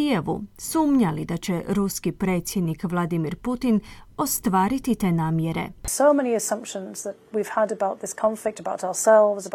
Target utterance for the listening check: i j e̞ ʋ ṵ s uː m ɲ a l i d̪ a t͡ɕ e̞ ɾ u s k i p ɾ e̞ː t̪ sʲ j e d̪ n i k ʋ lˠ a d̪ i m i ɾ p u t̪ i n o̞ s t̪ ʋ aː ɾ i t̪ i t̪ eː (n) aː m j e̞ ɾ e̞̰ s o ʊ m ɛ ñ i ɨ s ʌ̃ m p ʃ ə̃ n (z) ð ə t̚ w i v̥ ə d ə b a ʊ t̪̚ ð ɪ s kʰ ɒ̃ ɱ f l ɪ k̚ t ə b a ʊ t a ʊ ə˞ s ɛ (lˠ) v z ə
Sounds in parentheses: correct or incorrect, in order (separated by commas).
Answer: correct, correct, correct